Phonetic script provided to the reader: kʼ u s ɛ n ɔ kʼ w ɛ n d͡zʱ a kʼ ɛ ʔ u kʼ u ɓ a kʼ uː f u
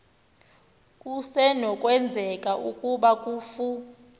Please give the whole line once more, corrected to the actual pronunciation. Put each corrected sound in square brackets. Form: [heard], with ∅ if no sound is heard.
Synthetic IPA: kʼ u s ɛ n ɔ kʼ w ɛ n d͡zʱ [ɛ] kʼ [a] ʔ u kʼ u ɓ a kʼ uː f u